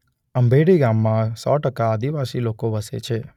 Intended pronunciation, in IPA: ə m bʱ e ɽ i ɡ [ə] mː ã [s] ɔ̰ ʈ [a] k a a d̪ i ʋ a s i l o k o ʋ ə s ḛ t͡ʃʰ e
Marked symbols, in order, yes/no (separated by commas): no, yes, no